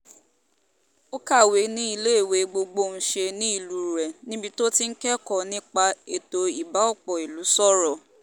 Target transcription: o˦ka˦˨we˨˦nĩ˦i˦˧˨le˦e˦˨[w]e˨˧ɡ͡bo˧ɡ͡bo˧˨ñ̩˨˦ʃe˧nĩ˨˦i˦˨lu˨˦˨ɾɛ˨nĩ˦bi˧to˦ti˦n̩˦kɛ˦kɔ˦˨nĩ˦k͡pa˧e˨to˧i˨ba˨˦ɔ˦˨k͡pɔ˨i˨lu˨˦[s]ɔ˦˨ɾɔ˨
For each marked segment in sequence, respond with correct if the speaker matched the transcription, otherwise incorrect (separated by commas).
correct, correct